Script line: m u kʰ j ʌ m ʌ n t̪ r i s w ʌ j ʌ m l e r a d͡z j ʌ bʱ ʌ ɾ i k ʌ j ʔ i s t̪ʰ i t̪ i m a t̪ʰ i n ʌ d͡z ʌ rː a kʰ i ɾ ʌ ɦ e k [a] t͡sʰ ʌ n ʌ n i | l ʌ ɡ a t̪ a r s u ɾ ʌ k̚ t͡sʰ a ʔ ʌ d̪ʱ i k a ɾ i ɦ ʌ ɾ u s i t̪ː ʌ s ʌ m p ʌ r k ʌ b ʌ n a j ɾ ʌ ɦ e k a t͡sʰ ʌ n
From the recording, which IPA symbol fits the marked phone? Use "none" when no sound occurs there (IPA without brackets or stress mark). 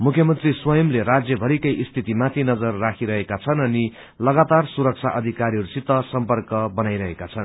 a